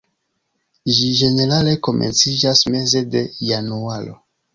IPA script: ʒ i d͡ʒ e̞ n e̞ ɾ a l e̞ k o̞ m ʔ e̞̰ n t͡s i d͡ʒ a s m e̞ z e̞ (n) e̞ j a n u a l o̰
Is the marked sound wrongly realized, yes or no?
yes